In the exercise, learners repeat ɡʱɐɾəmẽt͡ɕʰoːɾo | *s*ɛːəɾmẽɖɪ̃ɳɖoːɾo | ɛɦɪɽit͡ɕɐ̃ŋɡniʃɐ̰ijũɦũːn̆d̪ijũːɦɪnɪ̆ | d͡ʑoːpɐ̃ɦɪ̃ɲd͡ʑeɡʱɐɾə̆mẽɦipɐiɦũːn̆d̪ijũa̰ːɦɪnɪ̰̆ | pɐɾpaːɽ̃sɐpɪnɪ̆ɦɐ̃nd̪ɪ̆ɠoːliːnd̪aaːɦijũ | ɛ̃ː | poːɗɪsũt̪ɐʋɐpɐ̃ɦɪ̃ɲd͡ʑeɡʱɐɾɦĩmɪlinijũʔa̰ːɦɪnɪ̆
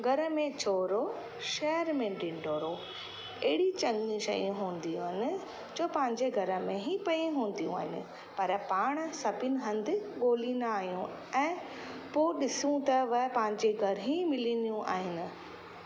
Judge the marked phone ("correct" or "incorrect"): incorrect